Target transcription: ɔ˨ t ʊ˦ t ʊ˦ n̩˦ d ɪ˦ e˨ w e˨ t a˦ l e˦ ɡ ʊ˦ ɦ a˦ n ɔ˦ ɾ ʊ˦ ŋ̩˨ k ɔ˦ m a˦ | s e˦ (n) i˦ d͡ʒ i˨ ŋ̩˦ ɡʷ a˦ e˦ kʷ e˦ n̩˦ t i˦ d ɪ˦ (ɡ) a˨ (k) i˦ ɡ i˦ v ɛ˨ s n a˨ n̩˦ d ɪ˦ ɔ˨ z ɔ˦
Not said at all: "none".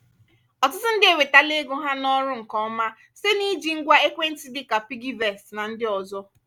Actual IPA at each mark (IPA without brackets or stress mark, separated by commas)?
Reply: n, k, p